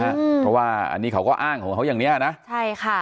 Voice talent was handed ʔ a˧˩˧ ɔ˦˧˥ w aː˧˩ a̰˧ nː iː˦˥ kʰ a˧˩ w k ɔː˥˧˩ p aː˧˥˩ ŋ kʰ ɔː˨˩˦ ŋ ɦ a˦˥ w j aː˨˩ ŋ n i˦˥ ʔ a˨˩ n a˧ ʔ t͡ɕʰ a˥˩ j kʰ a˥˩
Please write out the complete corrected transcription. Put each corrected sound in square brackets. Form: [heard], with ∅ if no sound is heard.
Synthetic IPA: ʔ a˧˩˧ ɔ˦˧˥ w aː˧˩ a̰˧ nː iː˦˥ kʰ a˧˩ w k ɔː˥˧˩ [ʔ] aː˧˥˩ ŋ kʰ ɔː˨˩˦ ŋ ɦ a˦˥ w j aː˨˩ ŋ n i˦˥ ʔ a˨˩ n [a˦˥] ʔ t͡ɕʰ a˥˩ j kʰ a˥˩